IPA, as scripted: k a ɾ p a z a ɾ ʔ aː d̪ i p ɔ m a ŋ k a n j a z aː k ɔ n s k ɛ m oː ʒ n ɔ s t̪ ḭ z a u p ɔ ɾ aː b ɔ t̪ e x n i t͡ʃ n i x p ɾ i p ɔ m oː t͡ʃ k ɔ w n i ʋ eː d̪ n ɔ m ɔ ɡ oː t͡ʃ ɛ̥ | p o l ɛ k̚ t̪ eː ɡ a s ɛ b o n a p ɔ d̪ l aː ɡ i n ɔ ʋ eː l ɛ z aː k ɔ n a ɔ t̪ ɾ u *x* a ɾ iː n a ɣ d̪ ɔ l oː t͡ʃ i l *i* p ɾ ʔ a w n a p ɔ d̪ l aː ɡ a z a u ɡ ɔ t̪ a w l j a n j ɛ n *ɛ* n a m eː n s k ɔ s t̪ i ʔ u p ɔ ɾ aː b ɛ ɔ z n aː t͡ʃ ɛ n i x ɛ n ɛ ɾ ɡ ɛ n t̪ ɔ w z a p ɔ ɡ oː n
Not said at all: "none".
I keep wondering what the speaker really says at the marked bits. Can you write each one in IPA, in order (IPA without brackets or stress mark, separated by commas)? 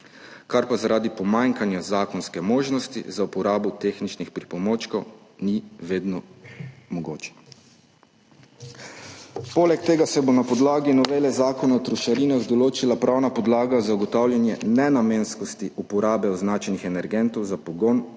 ʃ, a, ɛ